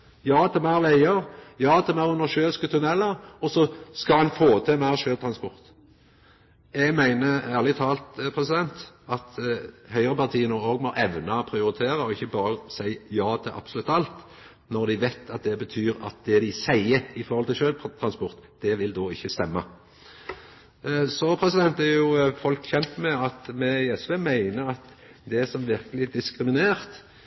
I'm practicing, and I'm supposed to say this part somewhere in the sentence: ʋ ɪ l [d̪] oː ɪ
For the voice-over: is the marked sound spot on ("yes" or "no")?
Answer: yes